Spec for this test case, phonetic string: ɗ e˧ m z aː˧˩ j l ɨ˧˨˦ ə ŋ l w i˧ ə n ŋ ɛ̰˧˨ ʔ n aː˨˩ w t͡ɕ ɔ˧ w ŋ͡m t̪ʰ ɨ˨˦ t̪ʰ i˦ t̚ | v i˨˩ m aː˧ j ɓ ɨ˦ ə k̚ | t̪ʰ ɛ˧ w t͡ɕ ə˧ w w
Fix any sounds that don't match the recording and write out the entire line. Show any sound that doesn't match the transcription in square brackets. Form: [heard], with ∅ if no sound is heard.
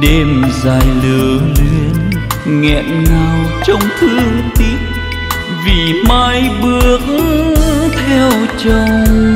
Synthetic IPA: ɗ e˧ m z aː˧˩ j l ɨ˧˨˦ ə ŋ l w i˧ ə n ŋ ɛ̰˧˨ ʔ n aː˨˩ w t͡ɕ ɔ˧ w ŋ͡m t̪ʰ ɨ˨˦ [t̪] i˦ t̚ | v i˨˩ m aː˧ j ɓ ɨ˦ ə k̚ | t̪ʰ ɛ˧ w t͡ɕ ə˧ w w